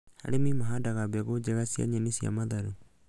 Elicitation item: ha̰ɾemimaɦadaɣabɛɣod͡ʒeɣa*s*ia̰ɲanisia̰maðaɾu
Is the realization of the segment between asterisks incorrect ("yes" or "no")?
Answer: no